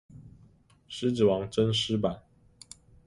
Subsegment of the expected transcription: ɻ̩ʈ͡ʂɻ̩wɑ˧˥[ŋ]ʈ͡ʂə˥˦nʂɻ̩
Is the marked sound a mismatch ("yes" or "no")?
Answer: no